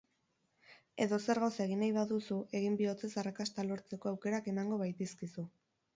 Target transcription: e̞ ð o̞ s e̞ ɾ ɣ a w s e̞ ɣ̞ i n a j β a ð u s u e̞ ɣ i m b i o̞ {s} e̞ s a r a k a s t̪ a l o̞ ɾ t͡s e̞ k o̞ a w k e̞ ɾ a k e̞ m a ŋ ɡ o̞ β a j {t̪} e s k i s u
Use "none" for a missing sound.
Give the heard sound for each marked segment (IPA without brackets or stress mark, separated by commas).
t͡s, t̪